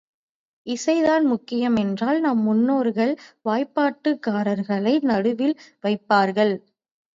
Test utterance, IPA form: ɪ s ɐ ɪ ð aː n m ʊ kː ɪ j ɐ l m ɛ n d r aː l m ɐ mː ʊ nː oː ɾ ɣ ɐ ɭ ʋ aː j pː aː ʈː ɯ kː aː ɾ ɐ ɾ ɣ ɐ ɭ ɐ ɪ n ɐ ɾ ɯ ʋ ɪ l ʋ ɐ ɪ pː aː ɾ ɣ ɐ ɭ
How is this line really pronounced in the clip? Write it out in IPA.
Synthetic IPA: ɪ s ɐ ɪ ð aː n m ʊ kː ɪ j ɐ m ɛ n d r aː l n ɐ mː ʊ nː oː ɾ ɣ ɐ ɭ ʋ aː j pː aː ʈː ɯ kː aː ɾ ɐ ɾ ɣ ɐ ɭ ɐ ɪ n ɐ ɽ ɯ ʋ ɪ l ʋ ɐ ɪ pː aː ɾ ɣ ɐ ɭ